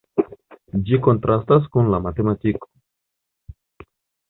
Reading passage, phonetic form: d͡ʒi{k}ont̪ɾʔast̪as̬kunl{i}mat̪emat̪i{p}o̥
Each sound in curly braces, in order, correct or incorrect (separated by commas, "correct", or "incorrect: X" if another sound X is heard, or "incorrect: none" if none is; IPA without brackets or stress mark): correct, incorrect: a, incorrect: k